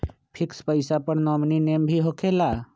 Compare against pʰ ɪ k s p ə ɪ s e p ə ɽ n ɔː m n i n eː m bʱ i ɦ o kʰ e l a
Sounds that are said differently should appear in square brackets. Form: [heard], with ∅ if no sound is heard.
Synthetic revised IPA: pʰ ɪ k s p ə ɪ s [a] p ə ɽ n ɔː m n i n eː m bʱ i ɦ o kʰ e l a